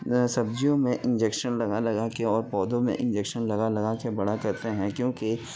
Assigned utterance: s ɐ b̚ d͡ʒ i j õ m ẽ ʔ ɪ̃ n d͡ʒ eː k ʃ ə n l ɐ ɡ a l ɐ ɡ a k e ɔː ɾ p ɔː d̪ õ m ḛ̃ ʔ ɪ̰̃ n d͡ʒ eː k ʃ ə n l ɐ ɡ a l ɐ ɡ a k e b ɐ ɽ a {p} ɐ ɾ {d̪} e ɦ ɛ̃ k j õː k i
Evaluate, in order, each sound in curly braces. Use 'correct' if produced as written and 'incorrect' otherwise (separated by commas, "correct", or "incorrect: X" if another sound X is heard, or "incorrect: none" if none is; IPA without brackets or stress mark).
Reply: incorrect: k, incorrect: t̪